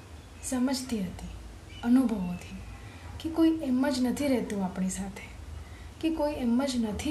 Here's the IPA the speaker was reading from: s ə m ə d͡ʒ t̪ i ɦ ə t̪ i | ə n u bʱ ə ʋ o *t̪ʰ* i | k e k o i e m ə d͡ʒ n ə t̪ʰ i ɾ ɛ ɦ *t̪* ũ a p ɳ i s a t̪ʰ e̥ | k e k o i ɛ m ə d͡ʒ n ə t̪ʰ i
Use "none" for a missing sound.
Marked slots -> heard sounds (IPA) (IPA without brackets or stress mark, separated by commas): t̪ʰ, t̪